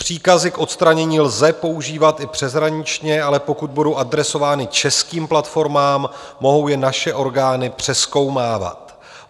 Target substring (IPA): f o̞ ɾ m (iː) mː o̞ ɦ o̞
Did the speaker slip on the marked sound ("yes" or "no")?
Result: yes